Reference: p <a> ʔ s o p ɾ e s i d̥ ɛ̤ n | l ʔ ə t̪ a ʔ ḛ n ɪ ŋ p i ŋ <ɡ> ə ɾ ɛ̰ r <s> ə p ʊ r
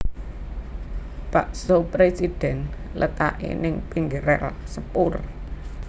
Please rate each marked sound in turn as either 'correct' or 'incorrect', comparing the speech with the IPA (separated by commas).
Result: correct, correct, correct